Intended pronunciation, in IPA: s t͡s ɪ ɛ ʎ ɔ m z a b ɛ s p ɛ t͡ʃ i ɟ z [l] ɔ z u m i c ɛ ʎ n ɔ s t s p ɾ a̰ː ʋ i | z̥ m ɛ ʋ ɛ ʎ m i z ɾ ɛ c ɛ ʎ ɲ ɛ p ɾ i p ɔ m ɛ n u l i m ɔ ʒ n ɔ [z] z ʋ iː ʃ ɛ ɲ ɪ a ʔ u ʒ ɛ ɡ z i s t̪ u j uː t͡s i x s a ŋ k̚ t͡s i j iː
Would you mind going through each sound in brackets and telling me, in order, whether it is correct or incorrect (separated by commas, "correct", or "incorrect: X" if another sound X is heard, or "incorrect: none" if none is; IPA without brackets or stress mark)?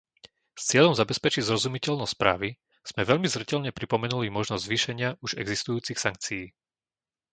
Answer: incorrect: ɾ, correct